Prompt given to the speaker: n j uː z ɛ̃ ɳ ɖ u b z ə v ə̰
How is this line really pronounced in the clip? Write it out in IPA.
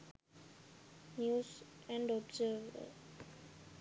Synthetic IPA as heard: n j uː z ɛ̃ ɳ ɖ ɔ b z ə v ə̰